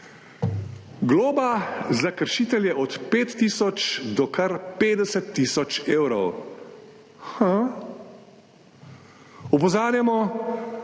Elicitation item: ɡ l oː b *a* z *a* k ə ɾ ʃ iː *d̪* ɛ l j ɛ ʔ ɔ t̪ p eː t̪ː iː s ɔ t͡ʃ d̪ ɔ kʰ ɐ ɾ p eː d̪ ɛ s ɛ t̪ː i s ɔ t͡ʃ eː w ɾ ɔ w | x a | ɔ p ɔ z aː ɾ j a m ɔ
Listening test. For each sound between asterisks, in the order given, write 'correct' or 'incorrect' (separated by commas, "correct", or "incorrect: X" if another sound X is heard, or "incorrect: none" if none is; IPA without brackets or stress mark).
correct, correct, incorrect: t̪